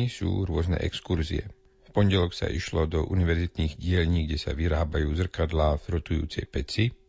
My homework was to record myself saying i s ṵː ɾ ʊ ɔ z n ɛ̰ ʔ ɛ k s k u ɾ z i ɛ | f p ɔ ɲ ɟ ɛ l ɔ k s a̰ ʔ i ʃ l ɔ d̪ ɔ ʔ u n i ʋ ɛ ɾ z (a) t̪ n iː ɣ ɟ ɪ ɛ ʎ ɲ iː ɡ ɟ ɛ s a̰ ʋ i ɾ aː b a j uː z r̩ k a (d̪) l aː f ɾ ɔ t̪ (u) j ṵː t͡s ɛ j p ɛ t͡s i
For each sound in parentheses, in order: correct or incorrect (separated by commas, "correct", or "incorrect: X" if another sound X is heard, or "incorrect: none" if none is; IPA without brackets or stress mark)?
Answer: incorrect: i, correct, correct